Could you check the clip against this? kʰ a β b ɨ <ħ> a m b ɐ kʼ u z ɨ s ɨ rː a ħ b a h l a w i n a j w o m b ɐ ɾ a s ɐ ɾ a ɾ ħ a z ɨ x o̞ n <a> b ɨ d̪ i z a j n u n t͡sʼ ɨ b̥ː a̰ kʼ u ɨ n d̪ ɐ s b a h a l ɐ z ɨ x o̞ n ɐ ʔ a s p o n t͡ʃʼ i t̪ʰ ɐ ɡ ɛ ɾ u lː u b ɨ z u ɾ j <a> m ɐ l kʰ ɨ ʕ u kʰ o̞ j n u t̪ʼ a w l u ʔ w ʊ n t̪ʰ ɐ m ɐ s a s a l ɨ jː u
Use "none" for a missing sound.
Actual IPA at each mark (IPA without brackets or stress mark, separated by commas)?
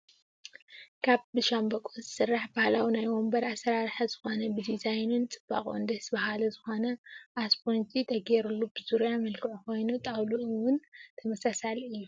ʃ, ɐ, a